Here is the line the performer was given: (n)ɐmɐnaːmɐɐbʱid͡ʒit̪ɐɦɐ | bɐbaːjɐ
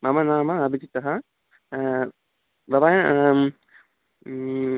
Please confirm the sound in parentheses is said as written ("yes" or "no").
no